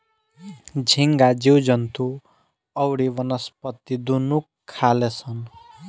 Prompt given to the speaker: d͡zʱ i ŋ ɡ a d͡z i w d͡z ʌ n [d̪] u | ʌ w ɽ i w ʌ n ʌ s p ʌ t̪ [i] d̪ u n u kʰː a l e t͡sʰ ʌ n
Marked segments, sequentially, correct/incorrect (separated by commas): incorrect, correct